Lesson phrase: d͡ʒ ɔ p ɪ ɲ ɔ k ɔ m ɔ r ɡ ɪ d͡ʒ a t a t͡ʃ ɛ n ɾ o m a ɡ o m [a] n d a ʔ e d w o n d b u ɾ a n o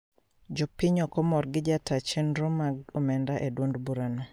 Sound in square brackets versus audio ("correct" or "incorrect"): incorrect